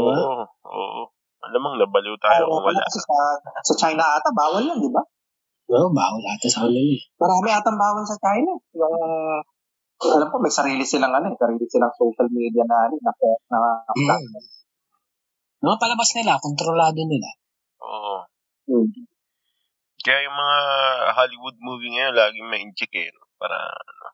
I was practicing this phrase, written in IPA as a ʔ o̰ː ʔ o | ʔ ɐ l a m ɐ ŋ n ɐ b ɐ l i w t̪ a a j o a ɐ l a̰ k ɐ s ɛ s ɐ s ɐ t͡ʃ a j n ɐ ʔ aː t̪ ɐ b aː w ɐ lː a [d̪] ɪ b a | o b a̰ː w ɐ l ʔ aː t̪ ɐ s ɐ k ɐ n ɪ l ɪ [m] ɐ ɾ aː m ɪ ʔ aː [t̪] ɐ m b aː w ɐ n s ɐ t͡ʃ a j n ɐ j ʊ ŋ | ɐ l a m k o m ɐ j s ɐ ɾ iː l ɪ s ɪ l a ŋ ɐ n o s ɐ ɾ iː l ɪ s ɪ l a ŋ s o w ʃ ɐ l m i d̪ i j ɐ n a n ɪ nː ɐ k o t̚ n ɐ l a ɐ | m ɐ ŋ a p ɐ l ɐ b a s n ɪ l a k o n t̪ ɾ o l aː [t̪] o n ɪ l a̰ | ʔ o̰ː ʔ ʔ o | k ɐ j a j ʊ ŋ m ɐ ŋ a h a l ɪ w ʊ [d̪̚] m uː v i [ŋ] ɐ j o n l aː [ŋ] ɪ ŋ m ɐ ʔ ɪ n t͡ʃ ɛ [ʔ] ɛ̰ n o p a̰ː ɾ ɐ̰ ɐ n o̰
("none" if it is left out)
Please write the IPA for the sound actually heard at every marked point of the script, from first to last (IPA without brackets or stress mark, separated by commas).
d̪, m, t̪, d̪, d̪̚, ŋ, ɡ, k